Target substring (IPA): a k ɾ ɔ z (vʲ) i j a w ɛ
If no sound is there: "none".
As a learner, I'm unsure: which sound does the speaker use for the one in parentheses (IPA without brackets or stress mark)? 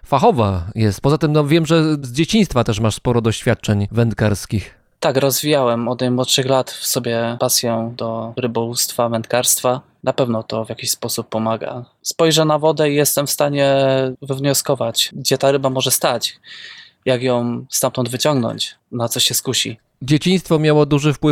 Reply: vʲ